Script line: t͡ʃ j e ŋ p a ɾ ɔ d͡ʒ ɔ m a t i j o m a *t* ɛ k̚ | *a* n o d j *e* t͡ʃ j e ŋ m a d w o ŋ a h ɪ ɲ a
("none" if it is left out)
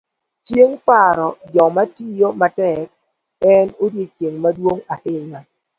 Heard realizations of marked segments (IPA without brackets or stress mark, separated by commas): t, ɛ, e